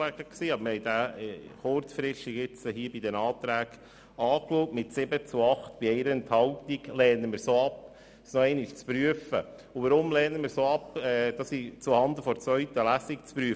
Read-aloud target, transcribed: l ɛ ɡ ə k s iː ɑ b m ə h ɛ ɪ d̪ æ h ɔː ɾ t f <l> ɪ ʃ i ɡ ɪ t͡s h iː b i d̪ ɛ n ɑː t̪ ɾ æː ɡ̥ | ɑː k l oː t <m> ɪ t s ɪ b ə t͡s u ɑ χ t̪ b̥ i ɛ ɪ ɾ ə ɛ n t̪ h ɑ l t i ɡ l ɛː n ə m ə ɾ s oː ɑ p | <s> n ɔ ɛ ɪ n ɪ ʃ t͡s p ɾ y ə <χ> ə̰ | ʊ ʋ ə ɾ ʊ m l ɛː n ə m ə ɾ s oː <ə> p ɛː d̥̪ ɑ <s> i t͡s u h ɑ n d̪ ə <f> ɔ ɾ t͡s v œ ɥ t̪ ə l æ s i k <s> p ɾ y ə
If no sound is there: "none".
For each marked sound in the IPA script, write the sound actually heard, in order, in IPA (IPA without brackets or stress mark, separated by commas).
ɾ, m, s, f, ɑ, s, f, t͡s